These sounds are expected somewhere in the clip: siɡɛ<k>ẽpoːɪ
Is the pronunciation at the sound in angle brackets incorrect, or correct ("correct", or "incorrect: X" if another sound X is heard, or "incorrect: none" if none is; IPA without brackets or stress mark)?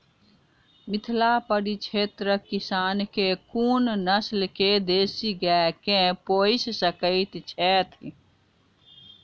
correct